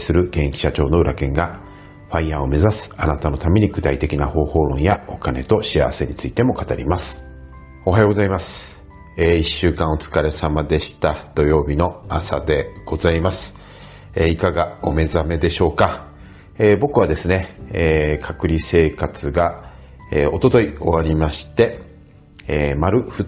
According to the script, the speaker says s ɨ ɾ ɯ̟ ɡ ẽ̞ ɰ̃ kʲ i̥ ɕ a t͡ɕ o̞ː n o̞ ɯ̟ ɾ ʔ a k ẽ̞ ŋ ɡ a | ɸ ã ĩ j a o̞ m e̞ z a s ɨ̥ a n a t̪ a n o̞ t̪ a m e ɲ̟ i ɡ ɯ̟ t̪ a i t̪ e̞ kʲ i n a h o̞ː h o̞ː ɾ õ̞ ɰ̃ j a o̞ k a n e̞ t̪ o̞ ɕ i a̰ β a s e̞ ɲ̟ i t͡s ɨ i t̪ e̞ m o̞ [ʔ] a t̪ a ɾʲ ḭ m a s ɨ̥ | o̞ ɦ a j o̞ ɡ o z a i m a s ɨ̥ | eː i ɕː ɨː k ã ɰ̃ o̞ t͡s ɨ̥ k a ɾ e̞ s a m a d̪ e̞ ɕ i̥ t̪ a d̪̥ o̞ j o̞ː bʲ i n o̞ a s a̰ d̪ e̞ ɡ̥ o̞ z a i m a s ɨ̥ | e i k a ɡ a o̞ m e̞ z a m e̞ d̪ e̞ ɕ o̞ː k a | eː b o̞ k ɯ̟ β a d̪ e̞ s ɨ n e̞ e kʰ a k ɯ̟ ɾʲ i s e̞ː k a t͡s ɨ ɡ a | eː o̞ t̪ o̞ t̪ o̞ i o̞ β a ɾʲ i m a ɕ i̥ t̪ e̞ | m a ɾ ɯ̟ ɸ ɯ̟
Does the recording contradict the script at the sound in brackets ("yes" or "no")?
yes